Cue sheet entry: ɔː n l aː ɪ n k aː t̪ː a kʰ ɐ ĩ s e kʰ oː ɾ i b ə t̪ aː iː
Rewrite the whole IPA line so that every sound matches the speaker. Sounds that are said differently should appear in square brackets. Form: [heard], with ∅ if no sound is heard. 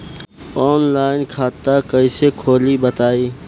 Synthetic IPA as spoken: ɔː n l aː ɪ n [kʰ] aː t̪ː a [k] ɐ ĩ s e kʰ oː [l] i b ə t̪ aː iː